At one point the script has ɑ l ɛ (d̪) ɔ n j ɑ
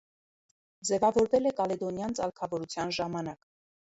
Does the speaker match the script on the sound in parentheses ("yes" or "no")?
yes